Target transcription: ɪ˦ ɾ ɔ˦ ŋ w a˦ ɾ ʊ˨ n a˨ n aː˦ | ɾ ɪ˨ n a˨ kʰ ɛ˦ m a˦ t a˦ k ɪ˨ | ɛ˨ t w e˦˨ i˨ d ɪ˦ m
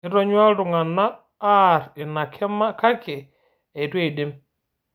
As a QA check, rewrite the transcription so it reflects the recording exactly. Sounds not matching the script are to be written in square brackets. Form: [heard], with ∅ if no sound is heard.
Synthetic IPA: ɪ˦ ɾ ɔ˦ [ɲ] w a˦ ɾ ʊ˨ [ŋ] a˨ n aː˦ | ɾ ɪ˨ n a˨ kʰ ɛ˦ m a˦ [k] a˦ k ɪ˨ | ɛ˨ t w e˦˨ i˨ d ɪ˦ m

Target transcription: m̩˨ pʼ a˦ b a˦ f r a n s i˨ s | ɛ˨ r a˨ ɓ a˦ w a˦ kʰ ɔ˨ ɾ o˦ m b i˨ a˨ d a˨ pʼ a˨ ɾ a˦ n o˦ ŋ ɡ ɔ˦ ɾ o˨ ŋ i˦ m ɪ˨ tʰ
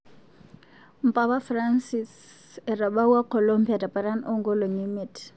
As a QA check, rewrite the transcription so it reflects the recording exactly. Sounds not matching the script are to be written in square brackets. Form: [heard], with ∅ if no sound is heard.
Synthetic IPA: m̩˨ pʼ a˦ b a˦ f r a n s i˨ s | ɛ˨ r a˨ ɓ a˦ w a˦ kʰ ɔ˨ [l] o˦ m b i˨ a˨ d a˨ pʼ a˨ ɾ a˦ n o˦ ŋ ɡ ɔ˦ [l] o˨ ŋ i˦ m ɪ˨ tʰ

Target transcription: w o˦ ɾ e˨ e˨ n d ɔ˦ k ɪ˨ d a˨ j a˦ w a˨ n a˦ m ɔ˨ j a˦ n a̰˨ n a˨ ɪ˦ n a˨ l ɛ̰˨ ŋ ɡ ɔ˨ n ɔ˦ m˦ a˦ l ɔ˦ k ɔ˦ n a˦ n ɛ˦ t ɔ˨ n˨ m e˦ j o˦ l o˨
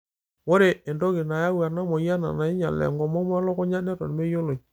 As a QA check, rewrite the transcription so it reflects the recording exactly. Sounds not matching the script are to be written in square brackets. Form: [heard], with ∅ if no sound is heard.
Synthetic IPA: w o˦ ɾ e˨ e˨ n d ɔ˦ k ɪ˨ [n] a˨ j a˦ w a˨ n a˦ m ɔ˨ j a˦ n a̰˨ n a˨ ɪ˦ [ɲ] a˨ l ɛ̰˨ ŋ ɡ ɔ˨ [m] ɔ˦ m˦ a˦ l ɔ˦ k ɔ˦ [ɲ] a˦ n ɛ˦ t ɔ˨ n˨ m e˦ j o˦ l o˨

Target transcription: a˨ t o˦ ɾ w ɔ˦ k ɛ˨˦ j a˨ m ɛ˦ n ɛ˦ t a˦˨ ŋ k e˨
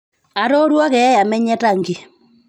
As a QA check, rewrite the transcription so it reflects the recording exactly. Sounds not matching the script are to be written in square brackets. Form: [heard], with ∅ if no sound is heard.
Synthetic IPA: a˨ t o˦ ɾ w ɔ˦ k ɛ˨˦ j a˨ m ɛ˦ [ɲ] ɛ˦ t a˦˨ ŋ [ɡ] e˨

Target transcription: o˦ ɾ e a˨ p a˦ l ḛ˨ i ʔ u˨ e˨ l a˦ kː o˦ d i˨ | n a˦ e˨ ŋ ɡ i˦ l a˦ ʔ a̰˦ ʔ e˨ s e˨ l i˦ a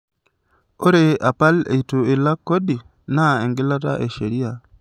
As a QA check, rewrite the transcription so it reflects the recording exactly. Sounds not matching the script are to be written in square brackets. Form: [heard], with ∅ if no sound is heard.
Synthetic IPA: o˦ ɾ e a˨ p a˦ l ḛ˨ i [t] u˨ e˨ l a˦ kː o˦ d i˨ | n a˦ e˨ ŋ ɡ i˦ l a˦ [t] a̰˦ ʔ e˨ [ʃ] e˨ [ɾ] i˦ a

